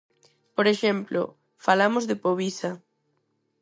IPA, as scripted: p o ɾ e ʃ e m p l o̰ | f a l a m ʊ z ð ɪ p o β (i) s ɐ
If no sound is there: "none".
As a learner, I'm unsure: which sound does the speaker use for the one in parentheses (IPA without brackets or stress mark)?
i